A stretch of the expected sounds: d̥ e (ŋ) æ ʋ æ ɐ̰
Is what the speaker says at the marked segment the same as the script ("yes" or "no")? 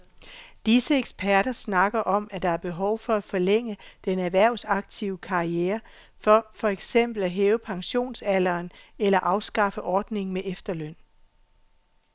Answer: no